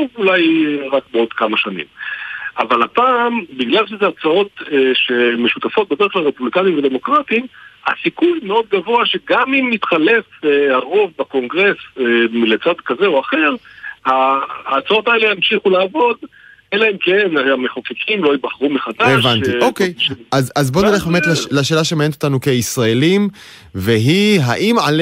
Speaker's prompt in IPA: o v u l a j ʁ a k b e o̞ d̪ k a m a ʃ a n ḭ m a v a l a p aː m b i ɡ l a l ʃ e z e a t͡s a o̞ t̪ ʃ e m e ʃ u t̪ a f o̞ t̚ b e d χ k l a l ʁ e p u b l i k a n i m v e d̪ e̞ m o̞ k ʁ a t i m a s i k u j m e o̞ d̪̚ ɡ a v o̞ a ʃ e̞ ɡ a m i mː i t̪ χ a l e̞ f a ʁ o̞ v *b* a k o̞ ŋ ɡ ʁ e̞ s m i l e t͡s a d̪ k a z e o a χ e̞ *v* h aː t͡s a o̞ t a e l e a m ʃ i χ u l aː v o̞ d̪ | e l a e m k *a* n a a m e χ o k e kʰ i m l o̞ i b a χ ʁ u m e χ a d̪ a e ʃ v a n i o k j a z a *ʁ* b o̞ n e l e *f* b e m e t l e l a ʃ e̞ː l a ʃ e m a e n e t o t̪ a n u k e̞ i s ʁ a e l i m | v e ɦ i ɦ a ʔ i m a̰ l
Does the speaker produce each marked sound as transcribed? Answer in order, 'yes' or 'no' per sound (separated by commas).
yes, no, no, no, no